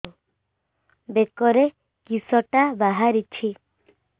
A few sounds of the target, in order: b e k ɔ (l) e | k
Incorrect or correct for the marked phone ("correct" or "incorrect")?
incorrect